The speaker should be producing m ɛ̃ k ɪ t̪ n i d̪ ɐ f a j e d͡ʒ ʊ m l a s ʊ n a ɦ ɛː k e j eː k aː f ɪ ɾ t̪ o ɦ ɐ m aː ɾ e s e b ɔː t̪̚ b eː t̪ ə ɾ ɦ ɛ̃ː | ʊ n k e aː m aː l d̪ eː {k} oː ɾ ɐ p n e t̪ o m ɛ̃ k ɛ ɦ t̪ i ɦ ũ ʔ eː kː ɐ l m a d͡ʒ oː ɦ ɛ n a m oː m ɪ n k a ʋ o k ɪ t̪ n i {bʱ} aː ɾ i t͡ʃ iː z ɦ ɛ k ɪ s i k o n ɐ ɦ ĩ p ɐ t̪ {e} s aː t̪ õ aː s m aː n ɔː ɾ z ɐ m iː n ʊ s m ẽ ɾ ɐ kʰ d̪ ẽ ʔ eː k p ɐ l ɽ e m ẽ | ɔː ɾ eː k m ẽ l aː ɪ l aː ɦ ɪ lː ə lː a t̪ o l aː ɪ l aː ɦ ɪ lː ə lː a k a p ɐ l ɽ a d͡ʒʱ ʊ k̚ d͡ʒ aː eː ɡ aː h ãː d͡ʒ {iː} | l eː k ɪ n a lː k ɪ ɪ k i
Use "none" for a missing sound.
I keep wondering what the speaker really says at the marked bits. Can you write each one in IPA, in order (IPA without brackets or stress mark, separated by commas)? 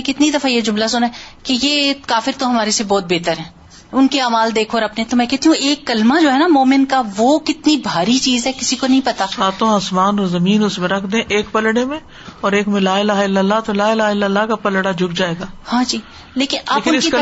kʰ, bʱ, a, iː